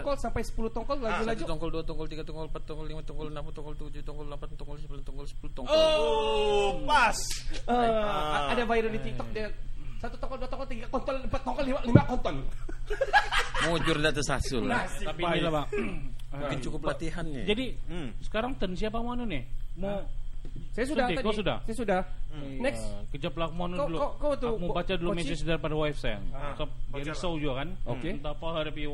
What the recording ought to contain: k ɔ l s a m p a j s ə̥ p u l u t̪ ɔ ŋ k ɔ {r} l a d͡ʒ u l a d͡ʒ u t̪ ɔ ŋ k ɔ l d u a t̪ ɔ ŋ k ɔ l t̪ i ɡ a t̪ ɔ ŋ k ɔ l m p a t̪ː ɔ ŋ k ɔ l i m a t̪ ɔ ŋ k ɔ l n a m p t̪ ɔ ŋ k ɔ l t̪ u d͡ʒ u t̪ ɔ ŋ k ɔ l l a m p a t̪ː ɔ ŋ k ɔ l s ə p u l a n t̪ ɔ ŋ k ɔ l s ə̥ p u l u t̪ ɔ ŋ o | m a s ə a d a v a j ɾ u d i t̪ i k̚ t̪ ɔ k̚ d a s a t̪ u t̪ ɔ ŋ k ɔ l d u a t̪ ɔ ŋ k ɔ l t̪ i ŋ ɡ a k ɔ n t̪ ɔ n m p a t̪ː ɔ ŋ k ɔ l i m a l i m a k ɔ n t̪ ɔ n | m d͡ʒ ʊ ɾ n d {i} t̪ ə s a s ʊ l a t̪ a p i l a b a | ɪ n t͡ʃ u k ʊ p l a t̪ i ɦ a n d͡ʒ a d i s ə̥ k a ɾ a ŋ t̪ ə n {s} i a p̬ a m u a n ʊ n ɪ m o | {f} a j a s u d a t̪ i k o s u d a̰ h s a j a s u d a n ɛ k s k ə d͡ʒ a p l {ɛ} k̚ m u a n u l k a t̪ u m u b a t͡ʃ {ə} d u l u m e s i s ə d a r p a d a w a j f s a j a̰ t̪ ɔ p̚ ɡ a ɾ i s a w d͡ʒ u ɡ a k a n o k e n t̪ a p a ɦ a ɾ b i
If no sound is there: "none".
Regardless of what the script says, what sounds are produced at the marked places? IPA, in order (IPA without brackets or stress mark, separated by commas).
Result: l, a, s, s, a, a